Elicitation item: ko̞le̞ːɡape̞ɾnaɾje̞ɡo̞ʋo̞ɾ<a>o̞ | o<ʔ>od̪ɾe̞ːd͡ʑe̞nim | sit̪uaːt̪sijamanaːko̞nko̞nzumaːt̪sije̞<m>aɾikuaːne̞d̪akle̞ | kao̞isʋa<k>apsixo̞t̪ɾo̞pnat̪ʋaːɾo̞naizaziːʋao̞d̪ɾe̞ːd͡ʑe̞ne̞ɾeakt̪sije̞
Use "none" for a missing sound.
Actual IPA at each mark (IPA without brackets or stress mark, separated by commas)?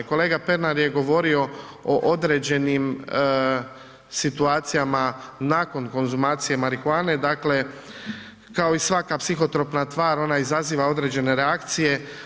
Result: i, ʔ, m, k